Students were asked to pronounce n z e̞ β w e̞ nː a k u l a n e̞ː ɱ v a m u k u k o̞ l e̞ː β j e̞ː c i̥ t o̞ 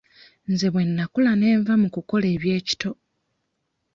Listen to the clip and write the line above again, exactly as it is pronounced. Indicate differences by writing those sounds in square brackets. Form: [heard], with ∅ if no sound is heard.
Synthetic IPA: n z e̞ β w e̞ nː a k u l a n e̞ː ɱ v a m u k u k o̞ l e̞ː β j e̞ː c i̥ t o̞